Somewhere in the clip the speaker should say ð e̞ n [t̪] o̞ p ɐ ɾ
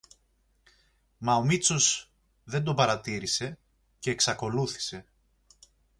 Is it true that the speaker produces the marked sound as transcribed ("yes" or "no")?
no